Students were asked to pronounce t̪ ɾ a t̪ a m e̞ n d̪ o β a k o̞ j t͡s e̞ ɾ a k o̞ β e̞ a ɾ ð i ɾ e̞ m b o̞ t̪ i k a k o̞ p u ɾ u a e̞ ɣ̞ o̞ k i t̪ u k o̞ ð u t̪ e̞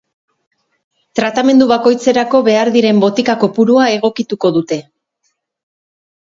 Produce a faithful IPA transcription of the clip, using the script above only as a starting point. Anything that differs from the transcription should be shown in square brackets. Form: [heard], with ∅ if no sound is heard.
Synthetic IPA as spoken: t̪ ɾ a t̪ a m e̞ n d̪ [u] β a k o̞ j t͡s e̞ ɾ a k o̞ β e̞ a ɾ ð i ɾ e̞ m b o̞ t̪ i k a k o̞ p u ɾ u a e̞ ɣ̞ o̞ k i t̪ u k o̞ ð u t̪ e̞

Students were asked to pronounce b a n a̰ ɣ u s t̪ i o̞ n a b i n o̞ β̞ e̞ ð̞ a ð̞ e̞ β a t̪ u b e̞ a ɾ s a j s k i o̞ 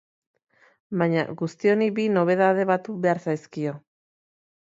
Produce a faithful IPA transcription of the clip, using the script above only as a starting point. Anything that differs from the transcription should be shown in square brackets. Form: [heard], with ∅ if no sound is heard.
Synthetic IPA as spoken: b a [ɲ] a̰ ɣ u s t̪ i o̞ n [i] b i n o̞ β̞ e̞ ð̞ a ð̞ e̞ β a t̪ u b e̞ a ɾ s a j s k i o̞

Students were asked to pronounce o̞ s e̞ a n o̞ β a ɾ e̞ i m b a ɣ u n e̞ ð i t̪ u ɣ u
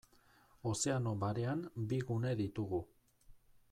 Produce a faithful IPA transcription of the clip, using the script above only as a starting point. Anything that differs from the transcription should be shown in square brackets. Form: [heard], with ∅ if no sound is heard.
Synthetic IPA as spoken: o̞ s e̞ a n o̞ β a ɾ e̞ [a] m b [i] ɣ u n e̞ ð i t̪ u ɣ u

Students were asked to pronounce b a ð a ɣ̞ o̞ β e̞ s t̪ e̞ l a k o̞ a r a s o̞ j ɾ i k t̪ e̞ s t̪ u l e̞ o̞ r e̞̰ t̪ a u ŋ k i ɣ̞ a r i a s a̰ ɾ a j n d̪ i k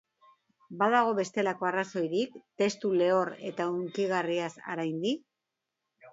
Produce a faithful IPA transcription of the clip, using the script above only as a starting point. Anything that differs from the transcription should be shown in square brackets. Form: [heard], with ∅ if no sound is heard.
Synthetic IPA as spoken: b a ð a ɣ̞ o̞ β e̞ s t̪ e̞ l a k o̞ a r a s o̞ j ɾ i k t̪ e̞ s t̪ u l e̞ o̞ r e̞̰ t̪ a u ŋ k i ɣ̞ a r i a s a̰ ɾ a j n d̪ i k

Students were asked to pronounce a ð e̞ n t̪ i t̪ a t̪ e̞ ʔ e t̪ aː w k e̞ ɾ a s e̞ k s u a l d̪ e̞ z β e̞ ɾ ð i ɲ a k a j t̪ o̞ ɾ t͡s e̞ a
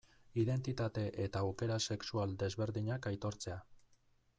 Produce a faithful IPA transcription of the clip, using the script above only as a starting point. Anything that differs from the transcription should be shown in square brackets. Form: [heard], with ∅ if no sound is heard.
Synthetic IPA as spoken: [i] ð e̞ n t̪ i t̪ a t̪ e̞ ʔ e t̪ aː w k e̞ ɾ a s e̞ k s u a l d̪ e̞ z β e̞ ɾ ð i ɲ a k a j t̪ o̞ ɾ t͡s e̞ a

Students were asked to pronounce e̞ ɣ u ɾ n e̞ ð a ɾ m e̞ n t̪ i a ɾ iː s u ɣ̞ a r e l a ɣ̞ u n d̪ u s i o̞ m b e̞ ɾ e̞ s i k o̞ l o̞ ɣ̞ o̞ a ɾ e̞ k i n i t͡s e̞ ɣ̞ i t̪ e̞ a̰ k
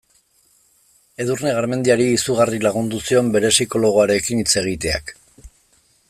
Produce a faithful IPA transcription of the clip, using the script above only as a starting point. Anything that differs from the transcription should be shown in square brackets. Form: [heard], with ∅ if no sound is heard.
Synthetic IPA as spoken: e̞ [ð] u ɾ n e̞ [ɣ] a ɾ m e̞ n [d̪] i a ɾ iː s u ɣ̞ a r [i] l a ɣ̞ u n d̪ u s i o̞ m b e̞ ɾ e̞ s i k o̞ l o̞ ɣ̞ o̞ a ɾ e̞ k i n i t͡s e̞ ɣ̞ i t̪ e̞ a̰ k

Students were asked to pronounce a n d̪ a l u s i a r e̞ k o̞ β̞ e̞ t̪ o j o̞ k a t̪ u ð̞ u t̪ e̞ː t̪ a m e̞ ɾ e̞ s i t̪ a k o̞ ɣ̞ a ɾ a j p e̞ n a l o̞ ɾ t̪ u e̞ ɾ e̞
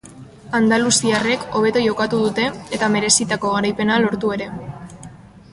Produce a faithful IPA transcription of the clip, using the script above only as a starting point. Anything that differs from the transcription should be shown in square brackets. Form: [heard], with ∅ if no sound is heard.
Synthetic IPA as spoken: a n d̪ a l u s i a r e̞ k o̞ β̞ e̞ t̪ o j o̞ k a t̪ u ð̞ u t̪ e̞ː t̪ a m e̞ ɾ e̞ s i t̪ a k o̞ ɣ̞ a ɾ a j p e̞ n a l o̞ ɾ t̪ u e̞ ɾ e̞

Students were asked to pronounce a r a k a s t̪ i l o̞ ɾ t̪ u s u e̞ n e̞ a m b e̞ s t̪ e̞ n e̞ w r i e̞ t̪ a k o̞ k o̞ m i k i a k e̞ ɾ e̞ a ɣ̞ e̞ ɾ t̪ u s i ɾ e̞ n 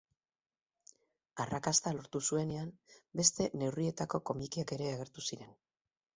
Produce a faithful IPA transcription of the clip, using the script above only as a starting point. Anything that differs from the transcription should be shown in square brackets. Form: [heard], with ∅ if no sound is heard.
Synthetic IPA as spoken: a r a k a s t̪ [a] l o̞ ɾ t̪ u s u e̞ n e̞ a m b e̞ s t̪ e̞ n e̞ w r i e̞ t̪ a k o̞ k o̞ m i k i a k e̞ ɾ e̞ a ɣ̞ e̞ ɾ t̪ u s i ɾ e̞ n

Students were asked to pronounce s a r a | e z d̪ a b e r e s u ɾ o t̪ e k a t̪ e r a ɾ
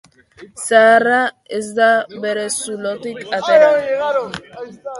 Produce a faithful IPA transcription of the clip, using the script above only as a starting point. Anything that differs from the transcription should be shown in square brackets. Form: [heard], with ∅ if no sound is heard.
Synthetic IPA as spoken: s a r a | e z d̪ a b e [ɾ] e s u [l] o t̪ [i] k a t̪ e [ɾ] a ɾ

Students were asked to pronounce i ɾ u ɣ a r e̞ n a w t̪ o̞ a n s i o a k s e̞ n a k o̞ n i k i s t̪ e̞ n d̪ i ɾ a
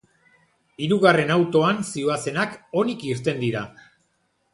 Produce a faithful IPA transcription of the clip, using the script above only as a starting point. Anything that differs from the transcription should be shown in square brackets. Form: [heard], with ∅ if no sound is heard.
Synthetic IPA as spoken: i ɾ u ɣ a r e̞ n a w t̪ o̞ a n s i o a [∅] s e̞ n a k o̞ n i k i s t̪ e̞ n d̪ i ɾ a

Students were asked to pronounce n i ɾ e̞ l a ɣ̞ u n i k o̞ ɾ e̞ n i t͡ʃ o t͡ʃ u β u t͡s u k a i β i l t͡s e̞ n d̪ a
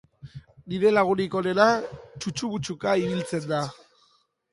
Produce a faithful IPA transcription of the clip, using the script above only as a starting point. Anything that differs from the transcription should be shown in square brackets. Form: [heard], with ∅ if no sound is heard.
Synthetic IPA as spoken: n i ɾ e̞ l a ɣ̞ u n i k o̞ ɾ e̞ n [a] t͡ʃ [u] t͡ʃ u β u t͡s u k a i β i l t͡s e̞ n d̪ a

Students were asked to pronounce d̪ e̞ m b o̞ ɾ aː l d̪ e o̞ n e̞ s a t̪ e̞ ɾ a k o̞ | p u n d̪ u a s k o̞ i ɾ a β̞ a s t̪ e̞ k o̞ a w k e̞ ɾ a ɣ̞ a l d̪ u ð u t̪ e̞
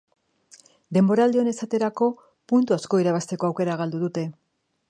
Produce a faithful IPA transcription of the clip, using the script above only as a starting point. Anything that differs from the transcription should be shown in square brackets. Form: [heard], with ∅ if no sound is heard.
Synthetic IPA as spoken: d̪ e̞ m b o̞ ɾ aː l d̪ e o̞ n e̞ s a t̪ e̞ ɾ a k o̞ | p u n [t̪] u a s k o̞ i ɾ a β̞ a s t̪ e̞ k o̞ a w k e̞ ɾ a ɣ̞ a l d̪ u ð u t̪ e̞

